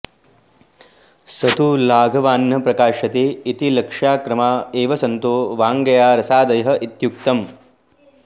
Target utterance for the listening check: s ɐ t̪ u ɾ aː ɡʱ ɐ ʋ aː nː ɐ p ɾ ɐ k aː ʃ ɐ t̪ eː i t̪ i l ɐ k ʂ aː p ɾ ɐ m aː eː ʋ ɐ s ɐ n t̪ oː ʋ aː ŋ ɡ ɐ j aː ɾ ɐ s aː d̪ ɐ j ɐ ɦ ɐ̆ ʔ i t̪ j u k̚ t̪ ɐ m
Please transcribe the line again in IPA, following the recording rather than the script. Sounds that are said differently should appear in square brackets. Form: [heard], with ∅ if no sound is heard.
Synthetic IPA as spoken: s ɐ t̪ u [l] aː ɡʱ ɐ ʋ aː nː ɐ p ɾ ɐ k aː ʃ ɐ t̪ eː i t̪ i l ɐ k ʂ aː [k] ɾ ɐ m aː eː ʋ ɐ s ɐ n t̪ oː ʋ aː ŋ ɡ ɐ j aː ɾ ɐ s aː d̪ ɐ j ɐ ɦ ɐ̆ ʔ i t̪ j u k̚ t̪ ɐ m

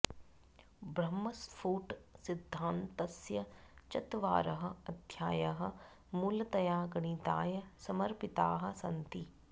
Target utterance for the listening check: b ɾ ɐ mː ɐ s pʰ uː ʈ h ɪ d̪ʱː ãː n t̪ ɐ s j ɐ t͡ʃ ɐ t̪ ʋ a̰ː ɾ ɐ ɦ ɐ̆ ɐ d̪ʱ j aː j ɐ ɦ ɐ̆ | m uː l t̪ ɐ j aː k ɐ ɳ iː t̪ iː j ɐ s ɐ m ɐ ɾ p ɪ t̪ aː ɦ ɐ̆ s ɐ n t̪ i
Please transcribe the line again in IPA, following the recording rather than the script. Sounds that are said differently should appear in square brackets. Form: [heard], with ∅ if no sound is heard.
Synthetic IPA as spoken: b ɾ ɐ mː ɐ s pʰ uː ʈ [s] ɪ d̪ʱː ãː n t̪ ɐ s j ɐ t͡ʃ ɐ t̪ ʋ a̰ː ɾ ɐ ɦ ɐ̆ ɐ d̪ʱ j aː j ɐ ɦ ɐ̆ | m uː l t̪ ɐ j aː [ɡ] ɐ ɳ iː t̪ [aː] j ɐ s ɐ m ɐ ɾ p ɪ t̪ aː ɦ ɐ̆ s ɐ n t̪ i

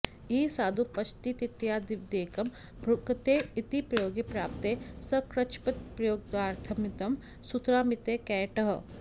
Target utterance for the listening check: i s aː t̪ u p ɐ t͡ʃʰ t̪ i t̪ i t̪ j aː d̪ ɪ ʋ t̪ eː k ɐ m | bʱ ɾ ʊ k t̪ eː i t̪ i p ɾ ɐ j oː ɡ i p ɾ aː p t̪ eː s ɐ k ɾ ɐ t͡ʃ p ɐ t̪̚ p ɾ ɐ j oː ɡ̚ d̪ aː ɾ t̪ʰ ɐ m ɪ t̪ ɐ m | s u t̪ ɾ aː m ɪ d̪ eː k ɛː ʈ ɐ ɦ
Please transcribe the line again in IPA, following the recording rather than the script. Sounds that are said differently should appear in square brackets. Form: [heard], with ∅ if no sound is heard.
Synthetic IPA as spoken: i s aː [d̪] u p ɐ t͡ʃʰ t̪ i t̪ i t̪ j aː d̪ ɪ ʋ [d̪] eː k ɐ m | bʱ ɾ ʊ k t̪ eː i t̪ i p ɾ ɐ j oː ɡ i p ɾ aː p t̪ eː s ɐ k ɾ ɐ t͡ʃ p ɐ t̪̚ p ɾ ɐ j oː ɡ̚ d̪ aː ɾ t̪ʰ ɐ m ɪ t̪ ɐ m | s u t̪ ɾ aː m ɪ [t̪] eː k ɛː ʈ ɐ ɦ

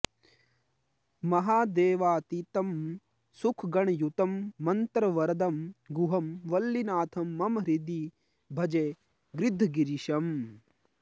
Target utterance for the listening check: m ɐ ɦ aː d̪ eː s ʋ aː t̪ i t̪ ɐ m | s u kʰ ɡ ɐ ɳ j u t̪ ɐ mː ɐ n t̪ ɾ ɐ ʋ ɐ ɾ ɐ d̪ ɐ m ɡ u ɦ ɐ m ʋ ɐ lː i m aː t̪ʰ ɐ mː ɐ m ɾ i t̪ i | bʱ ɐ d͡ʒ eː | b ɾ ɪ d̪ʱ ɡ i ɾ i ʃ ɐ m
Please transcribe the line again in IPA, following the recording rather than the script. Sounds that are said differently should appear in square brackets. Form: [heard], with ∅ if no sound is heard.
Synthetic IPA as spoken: m ɐ ɦ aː d̪ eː [∅] ʋ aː t̪ i t̪ ɐ m | s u kʰ ɡ ɐ ɳ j u t̪ ɐ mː ɐ n t̪ ɾ ɐ ʋ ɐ ɾ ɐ d̪ ɐ m ɡ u ɦ ɐ m ʋ ɐ lː i [n] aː t̪ʰ ɐ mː ɐ m ɾ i [d̪] i | bʱ ɐ d͡ʒ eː | [ɡ] ɾ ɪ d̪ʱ ɡ i ɾ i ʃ ɐ m

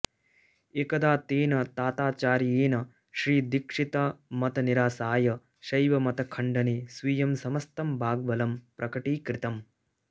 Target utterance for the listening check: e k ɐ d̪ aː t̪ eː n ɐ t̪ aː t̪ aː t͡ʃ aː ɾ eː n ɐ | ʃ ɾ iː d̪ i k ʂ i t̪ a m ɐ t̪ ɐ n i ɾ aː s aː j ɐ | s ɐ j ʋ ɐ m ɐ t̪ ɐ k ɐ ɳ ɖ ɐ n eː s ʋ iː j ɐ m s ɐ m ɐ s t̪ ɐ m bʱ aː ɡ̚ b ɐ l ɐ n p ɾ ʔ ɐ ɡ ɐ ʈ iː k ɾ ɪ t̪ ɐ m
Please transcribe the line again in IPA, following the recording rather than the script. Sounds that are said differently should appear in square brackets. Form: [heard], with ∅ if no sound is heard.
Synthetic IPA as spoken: e k ɐ d̪ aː t̪ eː n ɐ t̪ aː t̪ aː t͡ʃ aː ɾ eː n ɐ | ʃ ɾ iː d̪ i k ʂ i t̪ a m ɐ t̪ ɐ n i ɾ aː s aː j ɐ | [ʃ] ɐ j ʋ ɐ m ɐ t̪ ɐ [kʰ] ɐ ɳ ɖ ɐ n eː s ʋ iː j ɐ m s ɐ m ɐ s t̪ ɐ m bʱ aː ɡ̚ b ɐ l ɐ [m] p ɾ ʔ ɐ [k] ɐ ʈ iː k ɾ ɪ t̪ ɐ m

